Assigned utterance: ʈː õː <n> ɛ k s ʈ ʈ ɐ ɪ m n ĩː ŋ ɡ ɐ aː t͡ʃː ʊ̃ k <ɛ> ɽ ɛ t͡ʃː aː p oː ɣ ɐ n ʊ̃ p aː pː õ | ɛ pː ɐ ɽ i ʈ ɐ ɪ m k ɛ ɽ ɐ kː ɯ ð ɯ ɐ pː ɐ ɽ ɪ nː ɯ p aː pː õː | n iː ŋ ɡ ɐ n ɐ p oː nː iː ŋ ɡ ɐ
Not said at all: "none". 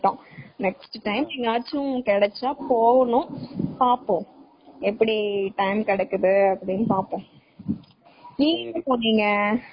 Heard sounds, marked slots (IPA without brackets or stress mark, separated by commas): n, ɛ